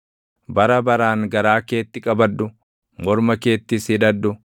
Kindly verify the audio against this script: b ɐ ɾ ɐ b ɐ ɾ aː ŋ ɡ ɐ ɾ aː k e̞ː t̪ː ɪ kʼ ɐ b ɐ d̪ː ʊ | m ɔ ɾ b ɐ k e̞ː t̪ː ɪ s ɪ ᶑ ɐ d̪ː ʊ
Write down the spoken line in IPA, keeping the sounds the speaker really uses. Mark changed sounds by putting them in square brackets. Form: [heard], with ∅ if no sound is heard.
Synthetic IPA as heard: b ɐ ɾ ɐ b ɐ ɾ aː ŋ ɡ ɐ ɾ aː k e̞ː t̪ː ɪ kʼ ɐ b ɐ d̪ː ʊ | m ɔ ɾ [m] ɐ k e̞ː t̪ː ɪ s ɪ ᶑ ɐ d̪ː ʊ